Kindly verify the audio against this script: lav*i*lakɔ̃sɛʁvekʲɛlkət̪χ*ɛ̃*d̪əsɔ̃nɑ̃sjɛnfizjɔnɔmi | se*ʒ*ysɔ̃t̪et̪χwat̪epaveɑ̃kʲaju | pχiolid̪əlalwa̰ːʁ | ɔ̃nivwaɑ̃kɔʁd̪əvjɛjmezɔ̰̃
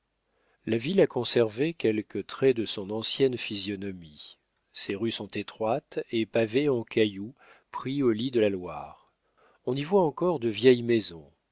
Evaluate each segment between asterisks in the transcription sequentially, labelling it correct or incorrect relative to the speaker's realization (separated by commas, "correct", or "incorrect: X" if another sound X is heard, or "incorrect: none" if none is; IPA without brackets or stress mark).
correct, incorrect: ɛ, incorrect: ʁ